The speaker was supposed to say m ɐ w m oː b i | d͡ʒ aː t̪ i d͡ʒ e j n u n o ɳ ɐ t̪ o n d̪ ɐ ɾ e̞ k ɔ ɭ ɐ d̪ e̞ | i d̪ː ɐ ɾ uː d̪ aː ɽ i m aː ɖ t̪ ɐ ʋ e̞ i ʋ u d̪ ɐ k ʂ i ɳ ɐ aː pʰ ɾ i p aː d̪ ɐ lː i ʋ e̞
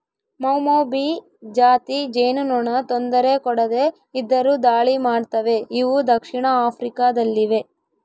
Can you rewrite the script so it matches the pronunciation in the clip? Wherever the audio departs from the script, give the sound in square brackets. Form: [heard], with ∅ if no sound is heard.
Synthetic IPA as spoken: m ɐ w m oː b i | d͡ʒ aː t̪ i d͡ʒ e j n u n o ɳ ɐ t̪ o n d̪ ɐ ɾ e̞ k ɔ [ɽ] ɐ d̪ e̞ | i d̪ː ɐ ɾ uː d̪ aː [ɭ] i m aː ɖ t̪ ɐ ʋ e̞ i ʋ u d̪ ɐ k ʂ i ɳ ɐ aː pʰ ɾ i [k] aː d̪ ɐ lː i ʋ e̞